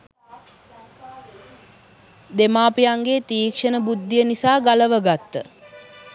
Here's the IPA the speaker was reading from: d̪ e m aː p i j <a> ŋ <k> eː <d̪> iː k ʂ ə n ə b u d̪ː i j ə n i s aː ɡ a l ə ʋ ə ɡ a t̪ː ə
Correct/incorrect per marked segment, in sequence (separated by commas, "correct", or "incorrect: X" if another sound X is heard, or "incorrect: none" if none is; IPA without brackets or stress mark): correct, incorrect: ɡ, incorrect: t̪